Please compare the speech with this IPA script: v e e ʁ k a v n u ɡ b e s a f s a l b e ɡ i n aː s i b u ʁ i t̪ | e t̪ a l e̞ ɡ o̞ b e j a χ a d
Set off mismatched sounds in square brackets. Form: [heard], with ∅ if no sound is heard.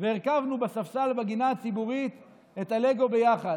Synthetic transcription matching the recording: v e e ʁ k a v n u [∅] b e s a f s a l b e ɡ i n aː [t͡s] i b u ʁ i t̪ | e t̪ a l e̞ ɡ o̞ b e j a χ a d